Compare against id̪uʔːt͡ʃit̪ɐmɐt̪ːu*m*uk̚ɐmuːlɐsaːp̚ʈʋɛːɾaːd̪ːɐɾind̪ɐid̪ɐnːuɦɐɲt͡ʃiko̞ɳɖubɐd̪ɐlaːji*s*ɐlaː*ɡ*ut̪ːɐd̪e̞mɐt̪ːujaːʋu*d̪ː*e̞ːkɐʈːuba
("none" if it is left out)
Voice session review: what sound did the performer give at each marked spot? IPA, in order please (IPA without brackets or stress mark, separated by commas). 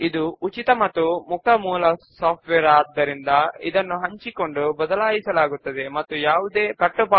m, s, ɡ, d̪